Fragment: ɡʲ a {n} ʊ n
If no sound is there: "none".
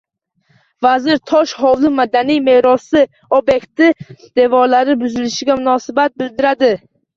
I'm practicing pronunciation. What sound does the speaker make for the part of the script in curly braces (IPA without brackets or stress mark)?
m